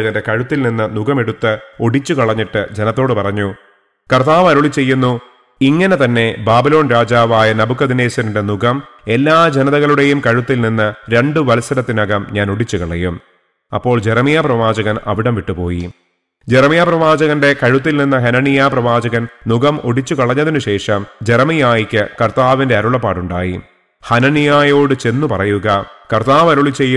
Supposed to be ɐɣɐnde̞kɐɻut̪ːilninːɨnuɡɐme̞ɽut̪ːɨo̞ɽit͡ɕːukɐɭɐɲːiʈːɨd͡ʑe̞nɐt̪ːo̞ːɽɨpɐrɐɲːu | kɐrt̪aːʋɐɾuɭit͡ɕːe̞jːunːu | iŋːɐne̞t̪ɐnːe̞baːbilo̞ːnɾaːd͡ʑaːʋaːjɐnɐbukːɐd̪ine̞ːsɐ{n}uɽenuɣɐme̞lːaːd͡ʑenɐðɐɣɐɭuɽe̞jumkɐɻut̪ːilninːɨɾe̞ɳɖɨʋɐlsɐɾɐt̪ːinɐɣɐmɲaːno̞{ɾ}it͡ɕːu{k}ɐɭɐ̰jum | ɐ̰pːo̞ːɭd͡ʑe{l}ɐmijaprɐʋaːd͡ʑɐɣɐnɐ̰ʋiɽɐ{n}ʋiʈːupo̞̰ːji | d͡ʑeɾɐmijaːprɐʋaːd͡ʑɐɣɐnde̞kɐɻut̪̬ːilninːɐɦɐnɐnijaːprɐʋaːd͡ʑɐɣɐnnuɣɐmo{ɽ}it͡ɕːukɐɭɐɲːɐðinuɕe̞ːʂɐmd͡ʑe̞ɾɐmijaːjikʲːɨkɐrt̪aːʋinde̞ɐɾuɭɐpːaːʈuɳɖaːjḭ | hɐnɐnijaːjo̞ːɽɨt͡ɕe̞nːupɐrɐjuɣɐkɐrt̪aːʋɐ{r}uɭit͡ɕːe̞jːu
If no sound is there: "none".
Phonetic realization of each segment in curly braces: n, ɽ, k, ɾ, m, ɽ, ɾ

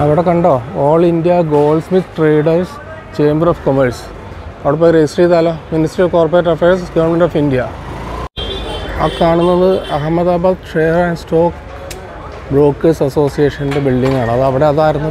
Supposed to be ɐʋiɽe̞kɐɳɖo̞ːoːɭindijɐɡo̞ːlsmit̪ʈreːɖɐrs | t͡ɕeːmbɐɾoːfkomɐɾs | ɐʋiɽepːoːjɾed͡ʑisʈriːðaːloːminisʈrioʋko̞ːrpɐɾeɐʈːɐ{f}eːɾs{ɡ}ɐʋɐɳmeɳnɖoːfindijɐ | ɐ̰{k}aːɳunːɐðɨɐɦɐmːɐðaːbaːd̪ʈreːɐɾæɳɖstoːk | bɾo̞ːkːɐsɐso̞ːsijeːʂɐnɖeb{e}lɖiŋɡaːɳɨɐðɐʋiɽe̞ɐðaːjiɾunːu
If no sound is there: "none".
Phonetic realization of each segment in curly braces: f, ɡ, k, i

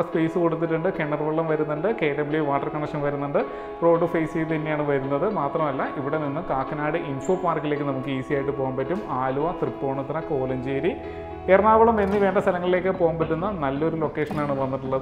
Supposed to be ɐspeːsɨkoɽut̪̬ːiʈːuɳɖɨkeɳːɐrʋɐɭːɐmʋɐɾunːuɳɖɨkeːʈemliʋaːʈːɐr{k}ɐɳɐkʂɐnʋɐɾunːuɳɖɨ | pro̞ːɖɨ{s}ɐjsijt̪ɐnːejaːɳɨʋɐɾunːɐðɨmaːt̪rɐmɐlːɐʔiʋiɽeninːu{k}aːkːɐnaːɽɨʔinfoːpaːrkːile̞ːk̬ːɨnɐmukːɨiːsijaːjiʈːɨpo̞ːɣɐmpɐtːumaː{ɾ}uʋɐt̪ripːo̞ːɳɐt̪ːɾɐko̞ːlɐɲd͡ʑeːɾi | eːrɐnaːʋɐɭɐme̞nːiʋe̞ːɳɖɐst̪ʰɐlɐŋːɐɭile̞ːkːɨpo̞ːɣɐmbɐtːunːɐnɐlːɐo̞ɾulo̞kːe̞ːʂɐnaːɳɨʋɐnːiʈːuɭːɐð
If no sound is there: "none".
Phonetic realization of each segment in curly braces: k, f, k, l

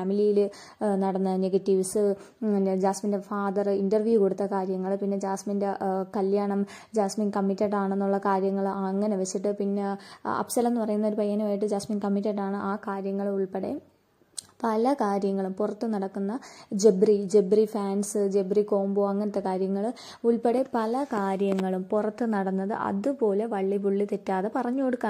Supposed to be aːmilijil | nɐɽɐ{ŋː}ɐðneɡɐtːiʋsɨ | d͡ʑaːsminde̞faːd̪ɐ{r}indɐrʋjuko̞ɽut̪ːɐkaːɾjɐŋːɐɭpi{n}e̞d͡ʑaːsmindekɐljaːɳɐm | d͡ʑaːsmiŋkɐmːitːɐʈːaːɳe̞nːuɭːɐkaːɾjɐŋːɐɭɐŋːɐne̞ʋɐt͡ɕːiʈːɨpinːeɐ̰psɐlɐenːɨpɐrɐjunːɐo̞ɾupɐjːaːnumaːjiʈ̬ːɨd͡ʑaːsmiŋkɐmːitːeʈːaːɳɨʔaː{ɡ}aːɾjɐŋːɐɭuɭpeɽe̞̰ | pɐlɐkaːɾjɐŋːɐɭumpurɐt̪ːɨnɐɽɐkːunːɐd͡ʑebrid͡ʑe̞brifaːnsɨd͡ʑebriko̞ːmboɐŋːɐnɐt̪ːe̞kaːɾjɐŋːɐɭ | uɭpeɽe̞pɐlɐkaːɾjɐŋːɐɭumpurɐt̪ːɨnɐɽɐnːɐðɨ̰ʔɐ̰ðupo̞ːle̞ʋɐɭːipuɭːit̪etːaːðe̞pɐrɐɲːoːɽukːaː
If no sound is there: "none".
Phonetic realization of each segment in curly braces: nː, r, nː, k

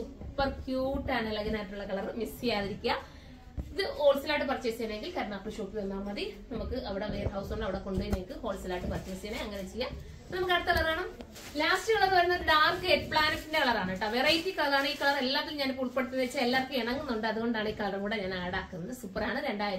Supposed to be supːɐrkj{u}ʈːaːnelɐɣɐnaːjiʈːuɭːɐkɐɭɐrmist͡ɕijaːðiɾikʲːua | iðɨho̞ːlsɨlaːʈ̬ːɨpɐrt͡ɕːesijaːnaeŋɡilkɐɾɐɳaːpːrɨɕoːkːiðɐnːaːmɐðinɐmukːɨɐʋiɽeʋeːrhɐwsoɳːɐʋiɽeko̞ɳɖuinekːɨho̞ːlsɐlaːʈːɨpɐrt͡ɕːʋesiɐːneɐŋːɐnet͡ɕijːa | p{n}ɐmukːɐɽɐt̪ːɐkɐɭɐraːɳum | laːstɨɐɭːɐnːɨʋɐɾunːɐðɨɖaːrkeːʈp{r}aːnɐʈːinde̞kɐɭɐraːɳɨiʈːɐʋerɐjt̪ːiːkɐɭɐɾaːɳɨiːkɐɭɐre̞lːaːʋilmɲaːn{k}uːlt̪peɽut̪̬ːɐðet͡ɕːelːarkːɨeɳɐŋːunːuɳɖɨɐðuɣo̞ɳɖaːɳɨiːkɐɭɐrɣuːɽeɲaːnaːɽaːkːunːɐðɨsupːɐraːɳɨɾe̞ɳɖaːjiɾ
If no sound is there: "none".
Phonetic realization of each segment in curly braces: uː, n, ɭ, p

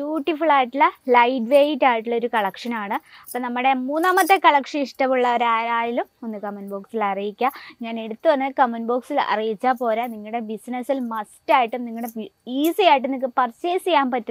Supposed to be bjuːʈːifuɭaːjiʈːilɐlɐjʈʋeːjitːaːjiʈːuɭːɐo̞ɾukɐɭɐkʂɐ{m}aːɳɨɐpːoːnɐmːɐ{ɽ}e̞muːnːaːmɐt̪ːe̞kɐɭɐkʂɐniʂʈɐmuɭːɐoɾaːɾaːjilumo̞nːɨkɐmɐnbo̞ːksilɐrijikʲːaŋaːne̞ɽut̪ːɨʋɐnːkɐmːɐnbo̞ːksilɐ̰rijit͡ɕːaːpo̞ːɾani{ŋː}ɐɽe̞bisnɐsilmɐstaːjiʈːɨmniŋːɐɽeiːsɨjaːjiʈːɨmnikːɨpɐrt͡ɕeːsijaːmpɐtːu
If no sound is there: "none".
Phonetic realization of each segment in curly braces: n, ɽ, ŋː

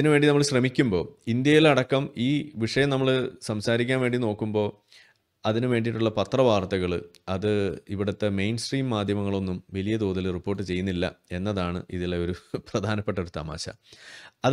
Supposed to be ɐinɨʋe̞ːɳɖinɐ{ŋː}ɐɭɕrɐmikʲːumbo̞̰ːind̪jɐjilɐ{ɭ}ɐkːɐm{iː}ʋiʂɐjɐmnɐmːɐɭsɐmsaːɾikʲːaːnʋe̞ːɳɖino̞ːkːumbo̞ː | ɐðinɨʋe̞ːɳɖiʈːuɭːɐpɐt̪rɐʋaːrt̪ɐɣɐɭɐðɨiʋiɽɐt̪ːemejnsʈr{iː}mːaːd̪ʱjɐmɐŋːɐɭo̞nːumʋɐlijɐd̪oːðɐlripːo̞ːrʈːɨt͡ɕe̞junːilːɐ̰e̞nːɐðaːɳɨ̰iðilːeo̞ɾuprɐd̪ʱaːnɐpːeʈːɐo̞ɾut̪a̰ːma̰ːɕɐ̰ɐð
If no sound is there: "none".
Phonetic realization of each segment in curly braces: mː, ɽ, iː, iː

